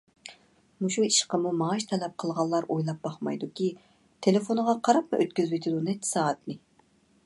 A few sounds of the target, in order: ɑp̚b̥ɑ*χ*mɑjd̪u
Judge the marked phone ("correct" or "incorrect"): correct